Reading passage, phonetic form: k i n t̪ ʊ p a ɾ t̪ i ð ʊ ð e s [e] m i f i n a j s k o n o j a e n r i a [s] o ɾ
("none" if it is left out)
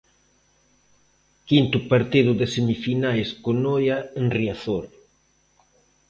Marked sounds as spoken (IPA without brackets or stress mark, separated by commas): e, θ